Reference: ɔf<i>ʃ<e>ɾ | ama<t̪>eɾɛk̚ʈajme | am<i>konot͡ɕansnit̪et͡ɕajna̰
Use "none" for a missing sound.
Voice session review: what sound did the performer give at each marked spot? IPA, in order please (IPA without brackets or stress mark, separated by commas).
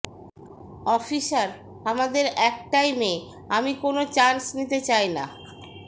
i, a, d̪, i